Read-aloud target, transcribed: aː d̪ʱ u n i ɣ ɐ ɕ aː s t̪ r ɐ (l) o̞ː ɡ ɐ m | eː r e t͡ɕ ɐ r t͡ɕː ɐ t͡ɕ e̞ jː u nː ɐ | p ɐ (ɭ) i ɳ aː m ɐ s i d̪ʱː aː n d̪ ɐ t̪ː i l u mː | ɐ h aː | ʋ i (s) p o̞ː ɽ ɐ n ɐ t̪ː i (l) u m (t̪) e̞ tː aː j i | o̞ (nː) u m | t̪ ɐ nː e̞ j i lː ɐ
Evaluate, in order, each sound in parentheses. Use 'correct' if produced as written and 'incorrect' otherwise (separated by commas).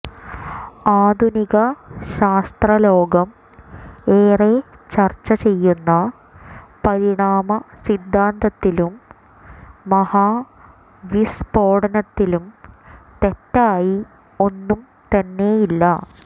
correct, incorrect, correct, correct, correct, correct